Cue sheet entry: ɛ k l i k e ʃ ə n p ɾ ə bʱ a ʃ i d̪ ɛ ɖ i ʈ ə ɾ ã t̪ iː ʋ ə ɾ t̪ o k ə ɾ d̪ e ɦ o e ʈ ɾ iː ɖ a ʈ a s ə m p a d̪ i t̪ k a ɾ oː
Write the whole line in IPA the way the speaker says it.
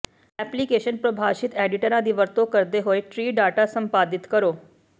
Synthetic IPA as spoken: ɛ p l i k e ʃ ə n p ɾ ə bʱ a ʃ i t̪ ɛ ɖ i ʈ ə ɾ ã d̪ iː ʋ ə ɾ t̪ o k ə ɾ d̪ e ɦ o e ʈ ɾ iː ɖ a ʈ a s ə m p a d̪ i t̪ k ə ɾ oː